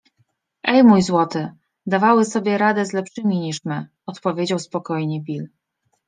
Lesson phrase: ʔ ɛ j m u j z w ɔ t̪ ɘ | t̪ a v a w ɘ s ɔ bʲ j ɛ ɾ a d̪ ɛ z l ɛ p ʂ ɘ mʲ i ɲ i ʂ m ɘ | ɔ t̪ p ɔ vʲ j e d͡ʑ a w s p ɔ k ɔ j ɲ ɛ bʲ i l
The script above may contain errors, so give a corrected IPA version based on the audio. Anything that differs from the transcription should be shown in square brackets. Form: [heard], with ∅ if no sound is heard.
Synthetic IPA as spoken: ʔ ɛ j m u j z w ɔ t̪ ɘ | [d̪] a v a w ɘ s ɔ bʲ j ɛ ɾ a d̪ ɛ z l ɛ p ʂ ɘ mʲ i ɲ i ʂ m ɘ | ɔ t̪ p ɔ vʲ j e d͡ʑ a w s p ɔ k ɔ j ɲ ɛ bʲ i l